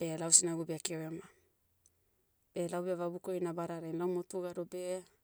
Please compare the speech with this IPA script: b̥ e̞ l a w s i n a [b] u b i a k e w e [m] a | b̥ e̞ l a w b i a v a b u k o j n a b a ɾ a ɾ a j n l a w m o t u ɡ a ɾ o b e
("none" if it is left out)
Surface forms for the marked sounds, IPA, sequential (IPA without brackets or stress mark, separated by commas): ɡ, m